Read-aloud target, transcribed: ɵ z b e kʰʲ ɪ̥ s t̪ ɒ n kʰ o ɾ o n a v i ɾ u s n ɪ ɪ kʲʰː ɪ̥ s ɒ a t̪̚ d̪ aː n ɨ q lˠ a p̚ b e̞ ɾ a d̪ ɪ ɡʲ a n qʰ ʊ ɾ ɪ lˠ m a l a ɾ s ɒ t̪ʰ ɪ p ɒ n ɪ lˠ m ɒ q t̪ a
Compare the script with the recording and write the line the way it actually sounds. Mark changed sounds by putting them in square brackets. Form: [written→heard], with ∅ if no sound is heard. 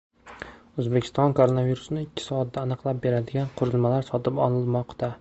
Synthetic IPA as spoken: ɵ z b e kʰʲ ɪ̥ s t̪ ɒ n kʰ o ɾ o n a v i ɾ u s n ɪ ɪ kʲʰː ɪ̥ s ɒ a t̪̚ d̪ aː n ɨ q lˠ a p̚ b e̞ ɾ a d̪ ɪ ɡʲ a n qʰ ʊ ɾ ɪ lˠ m a l a ɾ s ɒ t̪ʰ ɪ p ɒ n ɪ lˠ m ɒ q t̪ a